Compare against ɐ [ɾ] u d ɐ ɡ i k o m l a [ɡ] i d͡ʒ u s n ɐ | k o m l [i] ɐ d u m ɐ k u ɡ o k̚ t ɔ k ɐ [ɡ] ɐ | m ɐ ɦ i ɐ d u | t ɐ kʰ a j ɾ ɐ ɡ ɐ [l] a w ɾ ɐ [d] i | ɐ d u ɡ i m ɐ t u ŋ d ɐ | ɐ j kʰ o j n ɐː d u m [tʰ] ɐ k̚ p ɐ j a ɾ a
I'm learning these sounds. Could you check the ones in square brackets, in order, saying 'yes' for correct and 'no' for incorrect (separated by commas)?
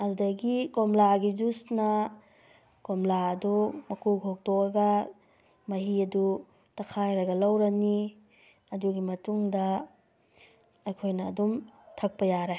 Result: yes, yes, no, yes, yes, no, yes